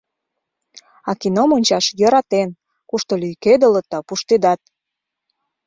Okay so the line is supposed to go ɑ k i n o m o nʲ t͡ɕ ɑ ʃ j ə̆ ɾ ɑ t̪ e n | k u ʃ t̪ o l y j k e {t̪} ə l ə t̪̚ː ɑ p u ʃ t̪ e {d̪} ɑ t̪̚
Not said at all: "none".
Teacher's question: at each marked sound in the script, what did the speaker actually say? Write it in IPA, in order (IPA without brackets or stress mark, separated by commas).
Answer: d̪, d̪